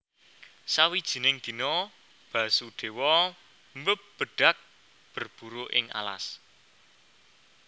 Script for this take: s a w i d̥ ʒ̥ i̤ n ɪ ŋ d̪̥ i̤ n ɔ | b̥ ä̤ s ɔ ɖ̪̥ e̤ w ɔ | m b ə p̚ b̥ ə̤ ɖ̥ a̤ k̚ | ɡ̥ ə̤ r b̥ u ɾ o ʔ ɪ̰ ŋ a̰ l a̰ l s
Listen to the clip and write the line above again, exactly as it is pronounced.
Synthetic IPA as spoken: s a w i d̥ ʒ̥ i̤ n ɪ ŋ d̪̥ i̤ n ɔ | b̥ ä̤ s u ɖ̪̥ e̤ w ɔ | m b ə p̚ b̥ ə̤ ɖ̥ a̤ k̚ | b̥ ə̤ r b̥ u ɾ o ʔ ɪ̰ ŋ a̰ l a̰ s